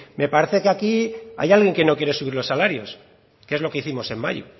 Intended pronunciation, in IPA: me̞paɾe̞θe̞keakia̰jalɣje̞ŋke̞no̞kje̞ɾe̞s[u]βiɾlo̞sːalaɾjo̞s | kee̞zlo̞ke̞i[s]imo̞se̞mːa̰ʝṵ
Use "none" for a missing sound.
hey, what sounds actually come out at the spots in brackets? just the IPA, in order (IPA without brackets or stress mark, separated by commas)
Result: u, θ